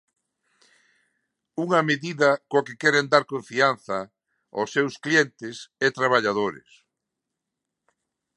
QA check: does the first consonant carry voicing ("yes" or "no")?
yes